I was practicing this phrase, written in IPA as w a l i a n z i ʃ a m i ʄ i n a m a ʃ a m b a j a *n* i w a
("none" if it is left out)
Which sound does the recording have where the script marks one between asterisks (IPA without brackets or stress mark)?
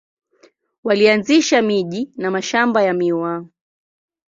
m